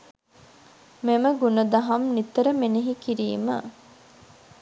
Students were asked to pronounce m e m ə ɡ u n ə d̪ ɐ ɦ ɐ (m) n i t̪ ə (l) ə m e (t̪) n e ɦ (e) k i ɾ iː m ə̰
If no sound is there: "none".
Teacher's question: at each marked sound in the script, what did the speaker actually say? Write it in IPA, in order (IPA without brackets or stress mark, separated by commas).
m, ɾ, none, i